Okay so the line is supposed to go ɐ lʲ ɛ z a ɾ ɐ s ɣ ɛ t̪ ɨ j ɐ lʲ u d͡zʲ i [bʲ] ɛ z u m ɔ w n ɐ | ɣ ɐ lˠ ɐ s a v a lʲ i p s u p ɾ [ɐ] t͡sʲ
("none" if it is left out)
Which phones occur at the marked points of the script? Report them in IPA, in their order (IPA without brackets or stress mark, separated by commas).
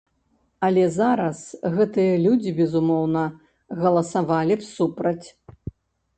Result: bʲ, ɐ